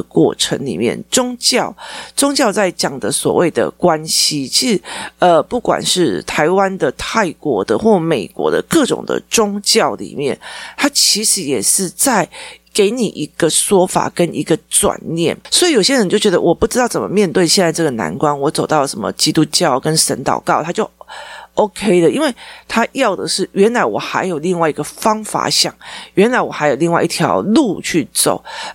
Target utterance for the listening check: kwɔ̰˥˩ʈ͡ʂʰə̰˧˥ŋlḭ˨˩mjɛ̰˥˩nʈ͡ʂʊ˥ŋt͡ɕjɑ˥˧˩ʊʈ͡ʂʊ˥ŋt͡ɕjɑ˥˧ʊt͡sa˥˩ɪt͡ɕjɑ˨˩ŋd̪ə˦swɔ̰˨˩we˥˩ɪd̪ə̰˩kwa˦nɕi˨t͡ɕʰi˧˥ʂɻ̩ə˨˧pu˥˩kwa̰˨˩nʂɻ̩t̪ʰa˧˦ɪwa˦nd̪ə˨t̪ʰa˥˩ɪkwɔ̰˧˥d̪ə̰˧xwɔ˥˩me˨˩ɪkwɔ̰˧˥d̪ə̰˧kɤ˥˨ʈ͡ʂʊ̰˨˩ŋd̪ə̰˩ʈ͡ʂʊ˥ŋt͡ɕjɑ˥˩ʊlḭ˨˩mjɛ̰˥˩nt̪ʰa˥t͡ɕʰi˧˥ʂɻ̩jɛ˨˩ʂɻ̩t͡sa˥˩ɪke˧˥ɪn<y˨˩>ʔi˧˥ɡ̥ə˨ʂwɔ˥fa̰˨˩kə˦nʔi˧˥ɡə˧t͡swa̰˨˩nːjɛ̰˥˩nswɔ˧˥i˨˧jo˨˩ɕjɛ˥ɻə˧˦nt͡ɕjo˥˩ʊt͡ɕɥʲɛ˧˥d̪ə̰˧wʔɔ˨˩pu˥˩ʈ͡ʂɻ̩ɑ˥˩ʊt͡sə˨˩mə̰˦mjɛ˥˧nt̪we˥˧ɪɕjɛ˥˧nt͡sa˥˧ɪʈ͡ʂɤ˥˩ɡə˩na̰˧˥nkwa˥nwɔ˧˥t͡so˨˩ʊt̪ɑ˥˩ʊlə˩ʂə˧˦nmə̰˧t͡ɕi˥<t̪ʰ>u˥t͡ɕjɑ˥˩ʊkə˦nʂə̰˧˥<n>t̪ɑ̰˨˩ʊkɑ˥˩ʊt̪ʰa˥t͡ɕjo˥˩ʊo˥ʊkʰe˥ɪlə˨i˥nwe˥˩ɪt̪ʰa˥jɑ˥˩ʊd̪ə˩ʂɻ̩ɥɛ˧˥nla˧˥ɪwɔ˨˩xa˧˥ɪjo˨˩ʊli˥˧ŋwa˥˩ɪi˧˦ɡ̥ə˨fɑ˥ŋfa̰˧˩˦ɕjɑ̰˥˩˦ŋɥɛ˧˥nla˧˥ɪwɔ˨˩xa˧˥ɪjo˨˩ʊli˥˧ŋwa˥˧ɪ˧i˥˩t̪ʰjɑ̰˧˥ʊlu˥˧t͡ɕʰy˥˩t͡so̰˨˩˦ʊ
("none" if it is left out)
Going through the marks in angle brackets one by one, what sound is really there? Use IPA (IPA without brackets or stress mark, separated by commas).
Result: i˨˩, t̪, n